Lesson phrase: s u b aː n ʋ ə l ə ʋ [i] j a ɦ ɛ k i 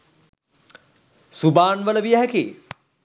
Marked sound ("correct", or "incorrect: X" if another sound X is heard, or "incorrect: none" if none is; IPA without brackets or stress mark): correct